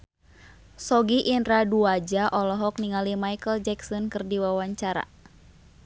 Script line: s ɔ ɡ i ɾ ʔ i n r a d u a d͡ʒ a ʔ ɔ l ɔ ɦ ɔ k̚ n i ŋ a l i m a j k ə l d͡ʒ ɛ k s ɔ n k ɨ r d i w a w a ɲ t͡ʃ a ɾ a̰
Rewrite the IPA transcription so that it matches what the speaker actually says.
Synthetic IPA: s ɔ ɡ i ʔ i n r a d u a d͡ʒ a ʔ ɔ l ɔ ɦ ɔ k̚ n i ŋ a l i m a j k ə l d͡ʒ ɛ k s ɔ n k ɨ r d i w a w a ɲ t͡ʃ a ɾ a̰